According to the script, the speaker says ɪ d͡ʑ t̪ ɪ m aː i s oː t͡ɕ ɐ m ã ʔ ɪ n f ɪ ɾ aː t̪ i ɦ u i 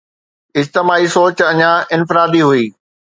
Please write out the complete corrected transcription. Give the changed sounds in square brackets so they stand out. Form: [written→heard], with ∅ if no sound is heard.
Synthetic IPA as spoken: ɪ d͡ʑ t̪ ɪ m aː i s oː t͡ɕ ɐ [m→ɲ] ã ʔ ɪ n f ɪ ɾ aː [t̪→d̪] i ɦ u [i→iː]